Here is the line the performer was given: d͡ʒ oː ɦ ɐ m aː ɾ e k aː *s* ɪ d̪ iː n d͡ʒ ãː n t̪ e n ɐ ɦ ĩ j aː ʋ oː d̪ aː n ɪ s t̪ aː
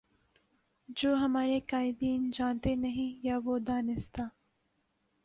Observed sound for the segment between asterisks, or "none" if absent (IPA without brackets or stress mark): none